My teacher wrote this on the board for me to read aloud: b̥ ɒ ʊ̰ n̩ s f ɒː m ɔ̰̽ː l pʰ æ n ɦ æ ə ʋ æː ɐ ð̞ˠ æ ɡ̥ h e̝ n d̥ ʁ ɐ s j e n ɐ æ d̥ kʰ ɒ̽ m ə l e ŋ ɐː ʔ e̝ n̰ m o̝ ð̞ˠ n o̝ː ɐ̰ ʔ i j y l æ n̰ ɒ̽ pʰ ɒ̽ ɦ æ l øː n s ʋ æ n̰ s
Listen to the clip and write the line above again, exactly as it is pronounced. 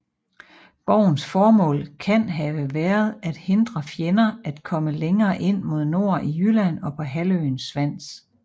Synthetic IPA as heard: b̥ ɒ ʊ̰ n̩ s f ɒː m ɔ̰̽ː l kʰ æ n ɦ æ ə ʋ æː ɐ ð̞ˠ æ d̥ h e̝ n d̥ ʁ ɐ f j e n ɐ æ d̥ kʰ ɒ̽ m ə l e ŋ ɐː ʔ e̝ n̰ m o̝ ð̞ˠ n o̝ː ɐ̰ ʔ i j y l æ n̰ ɒ̽ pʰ ɒ̽ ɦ æ l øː n s ʋ æ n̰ s